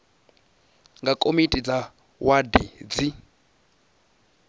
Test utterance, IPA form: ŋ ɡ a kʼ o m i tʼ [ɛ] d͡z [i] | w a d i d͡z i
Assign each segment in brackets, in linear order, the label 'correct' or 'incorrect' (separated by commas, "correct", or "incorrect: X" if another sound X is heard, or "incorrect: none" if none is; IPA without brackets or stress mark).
incorrect: i, incorrect: a